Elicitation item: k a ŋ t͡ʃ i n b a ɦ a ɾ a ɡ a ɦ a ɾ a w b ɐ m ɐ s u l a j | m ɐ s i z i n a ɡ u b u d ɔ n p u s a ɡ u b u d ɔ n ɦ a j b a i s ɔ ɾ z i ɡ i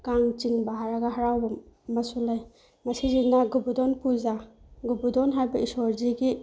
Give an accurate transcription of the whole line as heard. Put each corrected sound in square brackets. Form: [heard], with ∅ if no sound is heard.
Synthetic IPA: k a ŋ t͡ʃ i [ŋ] b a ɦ a ɾ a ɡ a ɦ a ɾ a w b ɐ m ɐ s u l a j | m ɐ s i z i n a ɡ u b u d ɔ n p u [z] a ɡ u b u d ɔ n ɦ a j b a i s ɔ ɾ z i ɡ i